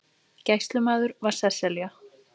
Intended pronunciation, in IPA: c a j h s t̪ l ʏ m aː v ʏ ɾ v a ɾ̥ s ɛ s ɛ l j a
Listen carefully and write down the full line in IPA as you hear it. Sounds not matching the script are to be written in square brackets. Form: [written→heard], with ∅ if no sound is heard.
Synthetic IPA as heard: c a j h s t̪ l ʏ m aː [v→ð] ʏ ɾ v a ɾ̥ s ɛ s ɛ l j a